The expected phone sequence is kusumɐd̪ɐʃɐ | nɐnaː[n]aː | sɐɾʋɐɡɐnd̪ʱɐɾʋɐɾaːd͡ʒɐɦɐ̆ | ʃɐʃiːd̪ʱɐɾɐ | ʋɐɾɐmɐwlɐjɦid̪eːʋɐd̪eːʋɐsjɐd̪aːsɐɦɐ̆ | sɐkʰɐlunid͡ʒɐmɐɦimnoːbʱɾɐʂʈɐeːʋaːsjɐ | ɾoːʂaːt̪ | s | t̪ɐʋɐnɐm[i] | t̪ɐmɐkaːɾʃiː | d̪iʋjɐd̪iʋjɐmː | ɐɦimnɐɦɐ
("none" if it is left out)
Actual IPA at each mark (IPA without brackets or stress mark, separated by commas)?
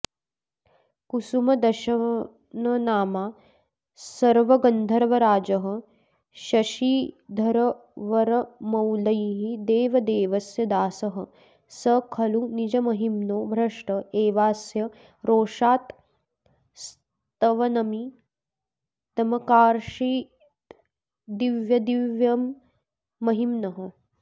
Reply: m, i